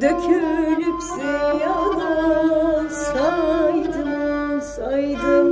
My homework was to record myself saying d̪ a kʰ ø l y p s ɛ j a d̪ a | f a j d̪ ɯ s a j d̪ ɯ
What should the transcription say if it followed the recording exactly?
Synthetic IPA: d̪ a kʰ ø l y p s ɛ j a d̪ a | s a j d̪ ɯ s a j d̪ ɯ